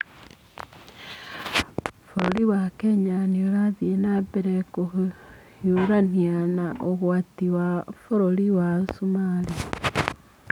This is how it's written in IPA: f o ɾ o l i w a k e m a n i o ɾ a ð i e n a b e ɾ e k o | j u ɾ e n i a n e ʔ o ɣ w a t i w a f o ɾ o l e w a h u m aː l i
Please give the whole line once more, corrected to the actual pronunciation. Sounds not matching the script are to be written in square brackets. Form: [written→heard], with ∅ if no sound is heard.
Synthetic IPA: f o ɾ o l i w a k e [m→ɲ] a n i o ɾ a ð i e n a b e ɾ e k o | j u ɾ [e→a] n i a n [e→a] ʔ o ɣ w a t i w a f o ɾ o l [e→i] w a [h→s] u m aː l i

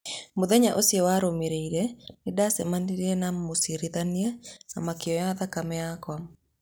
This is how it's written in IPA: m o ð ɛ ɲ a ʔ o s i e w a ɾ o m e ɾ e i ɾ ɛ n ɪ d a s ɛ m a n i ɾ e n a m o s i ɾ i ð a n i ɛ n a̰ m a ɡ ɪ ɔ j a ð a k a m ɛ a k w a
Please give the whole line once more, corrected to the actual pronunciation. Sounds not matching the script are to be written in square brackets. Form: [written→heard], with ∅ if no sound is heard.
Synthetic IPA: m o ð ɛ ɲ a ʔ o s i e w a ɾ o m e ɾ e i ɾ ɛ n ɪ d a s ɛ m a n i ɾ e n a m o s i ɾ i ð a n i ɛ n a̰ m a [ɡ→k] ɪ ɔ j a ð a k a m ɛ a k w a

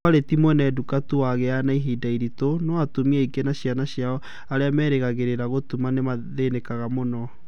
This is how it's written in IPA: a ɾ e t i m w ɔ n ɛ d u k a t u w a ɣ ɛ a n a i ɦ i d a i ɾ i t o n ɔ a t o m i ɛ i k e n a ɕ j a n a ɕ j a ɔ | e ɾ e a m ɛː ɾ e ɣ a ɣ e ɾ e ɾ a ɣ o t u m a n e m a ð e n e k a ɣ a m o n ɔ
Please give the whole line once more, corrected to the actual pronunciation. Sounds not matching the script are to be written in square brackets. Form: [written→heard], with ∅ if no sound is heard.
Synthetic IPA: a ɾ e t i m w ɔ n ɛ d u k a t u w a ɣ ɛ a n a i ɦ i d a i ɾ i t o n ɔ a t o m i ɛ i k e n a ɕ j a n a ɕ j a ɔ | [e→a] ɾ e a m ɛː ɾ e ɣ a ɣ e ɾ e ɾ a ɣ o t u m a n e m a ð e n e k a ɣ a m o n ɔ

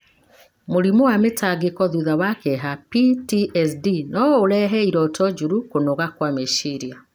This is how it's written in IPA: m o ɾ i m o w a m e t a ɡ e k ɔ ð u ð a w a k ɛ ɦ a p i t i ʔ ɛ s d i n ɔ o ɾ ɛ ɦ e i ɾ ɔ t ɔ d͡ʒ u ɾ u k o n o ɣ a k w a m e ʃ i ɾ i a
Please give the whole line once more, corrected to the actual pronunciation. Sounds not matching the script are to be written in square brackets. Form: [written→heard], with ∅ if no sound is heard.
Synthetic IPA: m o ɾ i m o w a m e t a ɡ e k ɔ ð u ð a w a k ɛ ɦ a p i t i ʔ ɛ s d i n ɔ o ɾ ɛ ɦ [e→ɛ] i ɾ ɔ t ɔ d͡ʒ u ɾ u k o n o ɣ a k w a m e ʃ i ɾ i a

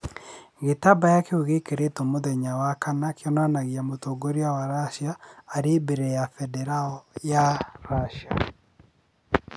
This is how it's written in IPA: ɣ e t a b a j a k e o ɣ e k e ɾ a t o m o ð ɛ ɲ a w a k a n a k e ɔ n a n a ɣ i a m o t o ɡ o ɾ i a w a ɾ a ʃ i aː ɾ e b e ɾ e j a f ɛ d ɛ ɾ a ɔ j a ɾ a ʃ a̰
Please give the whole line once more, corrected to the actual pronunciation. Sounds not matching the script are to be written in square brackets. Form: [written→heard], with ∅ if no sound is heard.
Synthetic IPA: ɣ e t a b a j a k e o ɣ e k e ɾ [a→e] t o m o ð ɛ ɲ a w a k a n a k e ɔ n a n a ɣ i a m o t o ɡ o ɾ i a w a ɾ a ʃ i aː ɾ e b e ɾ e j a f ɛ d ɛ ɾ a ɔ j a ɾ a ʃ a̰

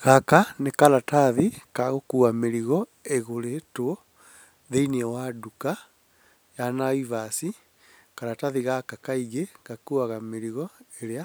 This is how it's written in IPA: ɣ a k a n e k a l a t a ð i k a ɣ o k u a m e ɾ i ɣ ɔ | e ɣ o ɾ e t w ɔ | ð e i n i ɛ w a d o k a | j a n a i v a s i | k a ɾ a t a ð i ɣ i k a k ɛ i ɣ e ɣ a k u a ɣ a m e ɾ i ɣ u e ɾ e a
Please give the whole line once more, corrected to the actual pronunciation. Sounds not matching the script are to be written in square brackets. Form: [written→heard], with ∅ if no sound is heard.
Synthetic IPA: ɣ a k a n e k a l a t a ð i k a ɣ o k u a m e ɾ i ɣ ɔ | e ɣ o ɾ e t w ɔ | ð e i n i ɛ w a d [o→u] k a | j a n a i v a s i | k a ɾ a t a ð i ɣ [i→a] k a k [ɛ→a] i ɣ e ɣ a k u a ɣ a m e ɾ i ɣ [u→ɔ] e ɾ e a

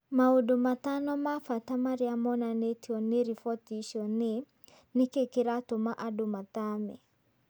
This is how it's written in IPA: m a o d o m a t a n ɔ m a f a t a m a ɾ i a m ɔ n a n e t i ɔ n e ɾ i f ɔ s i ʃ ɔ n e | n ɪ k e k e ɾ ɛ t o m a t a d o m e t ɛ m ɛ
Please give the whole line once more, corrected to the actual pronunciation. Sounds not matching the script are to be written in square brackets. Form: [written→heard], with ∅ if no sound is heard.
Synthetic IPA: m a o d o m a t a n ɔ m a f a t a m a ɾ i a m ɔ n a n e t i ɔ n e ɾ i f ɔ [s→t] i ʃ ɔ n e | n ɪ k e k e ɾ [ɛ→a] t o m a [t→ʔ] a d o m [e→a] t [ɛ→a] m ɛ

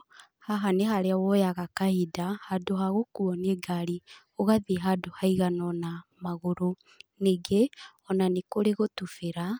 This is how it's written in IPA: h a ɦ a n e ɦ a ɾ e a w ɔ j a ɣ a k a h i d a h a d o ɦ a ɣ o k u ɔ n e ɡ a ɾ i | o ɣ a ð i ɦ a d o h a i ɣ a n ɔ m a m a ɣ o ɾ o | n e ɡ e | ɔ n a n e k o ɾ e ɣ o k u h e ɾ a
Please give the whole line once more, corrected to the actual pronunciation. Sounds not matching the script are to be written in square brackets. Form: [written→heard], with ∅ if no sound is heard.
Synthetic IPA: h a ɦ a n e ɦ a ɾ e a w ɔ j a ɣ a k a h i d a h a d o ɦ a ɣ o k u ɔ n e ɡ a ɾ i | o ɣ a ð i ɦ a d o h a i ɣ a n ɔ [m→n] a m a ɣ o ɾ o | n e ɡ e | ɔ n a n e k o ɾ e ɣ o [k→t] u [h→f] e ɾ a

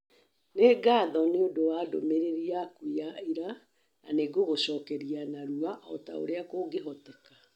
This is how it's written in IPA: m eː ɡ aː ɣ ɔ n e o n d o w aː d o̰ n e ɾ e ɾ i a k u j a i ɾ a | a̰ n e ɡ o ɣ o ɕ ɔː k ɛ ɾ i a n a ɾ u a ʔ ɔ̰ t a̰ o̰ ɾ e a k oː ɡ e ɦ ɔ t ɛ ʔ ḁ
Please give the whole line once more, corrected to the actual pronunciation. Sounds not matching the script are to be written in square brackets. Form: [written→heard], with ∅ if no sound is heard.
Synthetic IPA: [m→n] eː ɡ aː [ɣ→ð] ɔ n e o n d o w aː d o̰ [n→m] e ɾ e ɾ i a k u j a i ɾ a | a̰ n e ɡ o ɣ o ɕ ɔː k ɛ ɾ i a n a ɾ u a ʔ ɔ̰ t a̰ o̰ ɾ e a k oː ɡ e ɦ ɔ t ɛ [ʔ→k] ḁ

